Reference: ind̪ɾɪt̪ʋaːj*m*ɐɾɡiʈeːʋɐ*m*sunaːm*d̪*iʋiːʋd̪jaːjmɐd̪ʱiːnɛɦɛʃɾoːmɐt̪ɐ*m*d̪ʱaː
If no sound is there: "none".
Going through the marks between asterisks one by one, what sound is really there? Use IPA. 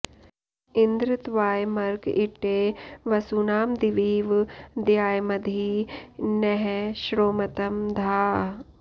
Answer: m, none, d̪, m

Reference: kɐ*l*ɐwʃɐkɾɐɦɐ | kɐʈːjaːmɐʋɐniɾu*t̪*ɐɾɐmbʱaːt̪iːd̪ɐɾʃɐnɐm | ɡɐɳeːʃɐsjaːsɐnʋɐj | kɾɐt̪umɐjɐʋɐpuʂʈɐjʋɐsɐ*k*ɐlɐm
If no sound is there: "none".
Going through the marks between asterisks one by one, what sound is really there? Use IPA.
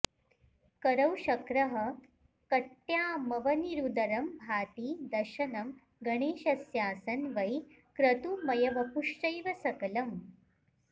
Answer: ɾ, d̪, k

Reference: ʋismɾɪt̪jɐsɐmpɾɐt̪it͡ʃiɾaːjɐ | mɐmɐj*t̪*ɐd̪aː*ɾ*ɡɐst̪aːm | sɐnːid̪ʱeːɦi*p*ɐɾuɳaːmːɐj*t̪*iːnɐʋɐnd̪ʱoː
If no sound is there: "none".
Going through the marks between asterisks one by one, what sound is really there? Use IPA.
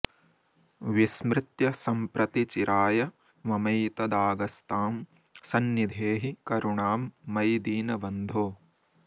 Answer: t̪, none, k, d̪

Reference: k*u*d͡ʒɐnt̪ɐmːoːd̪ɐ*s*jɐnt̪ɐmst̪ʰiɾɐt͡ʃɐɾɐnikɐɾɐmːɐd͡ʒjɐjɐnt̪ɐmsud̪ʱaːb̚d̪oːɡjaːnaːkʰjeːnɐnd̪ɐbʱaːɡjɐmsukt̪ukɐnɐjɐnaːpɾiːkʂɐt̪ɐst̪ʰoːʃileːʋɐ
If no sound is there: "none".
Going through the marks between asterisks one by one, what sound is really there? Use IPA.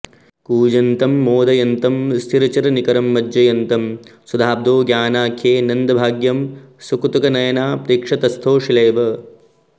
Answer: uː, none

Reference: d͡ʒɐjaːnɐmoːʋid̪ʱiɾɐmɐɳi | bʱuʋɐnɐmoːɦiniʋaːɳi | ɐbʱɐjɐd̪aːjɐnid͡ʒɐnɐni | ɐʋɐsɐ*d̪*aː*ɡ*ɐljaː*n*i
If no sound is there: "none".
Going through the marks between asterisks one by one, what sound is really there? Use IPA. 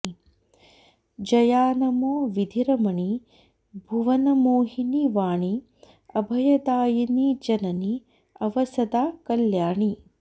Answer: d̪, k, ɳ

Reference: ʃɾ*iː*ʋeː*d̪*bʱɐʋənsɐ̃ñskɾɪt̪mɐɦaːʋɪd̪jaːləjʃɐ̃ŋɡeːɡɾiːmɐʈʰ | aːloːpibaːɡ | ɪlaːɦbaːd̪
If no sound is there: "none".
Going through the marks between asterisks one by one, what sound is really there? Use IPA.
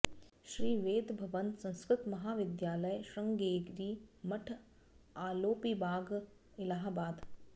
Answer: iː, d̪

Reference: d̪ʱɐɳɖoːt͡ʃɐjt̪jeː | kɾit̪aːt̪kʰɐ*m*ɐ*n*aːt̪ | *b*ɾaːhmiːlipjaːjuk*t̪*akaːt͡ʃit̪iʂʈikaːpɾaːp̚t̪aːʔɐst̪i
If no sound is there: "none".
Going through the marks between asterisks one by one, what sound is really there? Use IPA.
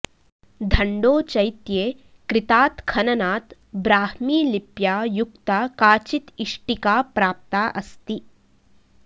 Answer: n, n, b, t̪

